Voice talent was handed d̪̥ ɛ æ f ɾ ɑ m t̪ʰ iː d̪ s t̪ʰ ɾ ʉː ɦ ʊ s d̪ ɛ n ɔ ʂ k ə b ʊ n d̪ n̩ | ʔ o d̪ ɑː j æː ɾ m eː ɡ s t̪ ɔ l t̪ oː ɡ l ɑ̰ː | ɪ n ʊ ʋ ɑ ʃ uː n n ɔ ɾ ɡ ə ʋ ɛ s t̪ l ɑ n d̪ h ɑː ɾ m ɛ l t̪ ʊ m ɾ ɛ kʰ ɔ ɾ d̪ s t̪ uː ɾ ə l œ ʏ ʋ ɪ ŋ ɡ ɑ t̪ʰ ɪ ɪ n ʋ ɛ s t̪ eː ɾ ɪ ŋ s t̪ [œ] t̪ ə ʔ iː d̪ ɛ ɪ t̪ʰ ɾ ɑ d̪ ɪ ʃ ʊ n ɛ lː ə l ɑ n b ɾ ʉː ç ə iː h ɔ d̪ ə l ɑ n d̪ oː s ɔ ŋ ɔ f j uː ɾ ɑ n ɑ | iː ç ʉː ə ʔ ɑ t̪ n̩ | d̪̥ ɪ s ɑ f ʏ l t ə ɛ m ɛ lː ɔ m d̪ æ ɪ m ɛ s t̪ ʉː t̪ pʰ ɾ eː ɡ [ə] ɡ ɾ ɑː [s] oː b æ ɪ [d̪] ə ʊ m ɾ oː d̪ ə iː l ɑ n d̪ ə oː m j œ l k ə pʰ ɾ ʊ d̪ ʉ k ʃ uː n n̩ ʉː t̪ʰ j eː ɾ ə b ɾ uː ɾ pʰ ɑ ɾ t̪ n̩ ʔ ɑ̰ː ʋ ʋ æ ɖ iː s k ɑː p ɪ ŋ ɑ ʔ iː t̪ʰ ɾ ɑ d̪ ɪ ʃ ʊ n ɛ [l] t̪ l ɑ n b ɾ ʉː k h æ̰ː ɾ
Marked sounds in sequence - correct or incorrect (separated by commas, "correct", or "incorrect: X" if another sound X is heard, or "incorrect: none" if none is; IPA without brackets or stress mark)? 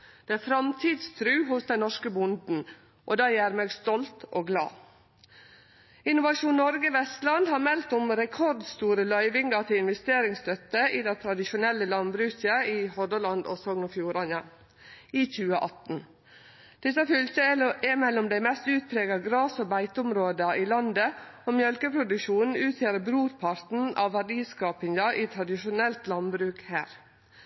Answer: correct, incorrect: ɑ, correct, incorrect: t̪, correct